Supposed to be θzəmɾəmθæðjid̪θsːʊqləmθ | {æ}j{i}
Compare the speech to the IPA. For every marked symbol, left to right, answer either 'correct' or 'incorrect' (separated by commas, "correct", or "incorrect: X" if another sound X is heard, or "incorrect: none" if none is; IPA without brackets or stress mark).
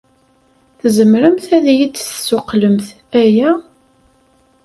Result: correct, incorrect: æ